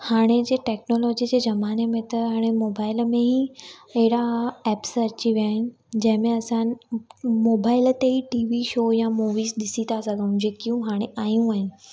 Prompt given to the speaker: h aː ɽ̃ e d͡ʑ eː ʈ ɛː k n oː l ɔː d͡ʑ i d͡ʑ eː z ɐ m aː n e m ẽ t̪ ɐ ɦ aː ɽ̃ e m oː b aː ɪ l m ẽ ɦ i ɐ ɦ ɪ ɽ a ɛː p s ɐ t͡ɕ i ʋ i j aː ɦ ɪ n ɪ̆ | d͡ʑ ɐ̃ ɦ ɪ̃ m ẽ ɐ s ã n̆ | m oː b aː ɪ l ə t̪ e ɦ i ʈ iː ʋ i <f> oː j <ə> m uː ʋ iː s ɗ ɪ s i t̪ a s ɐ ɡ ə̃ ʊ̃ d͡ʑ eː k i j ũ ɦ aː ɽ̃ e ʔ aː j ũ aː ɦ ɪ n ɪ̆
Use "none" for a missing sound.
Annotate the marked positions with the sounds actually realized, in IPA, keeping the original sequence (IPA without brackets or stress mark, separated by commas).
ʃ, a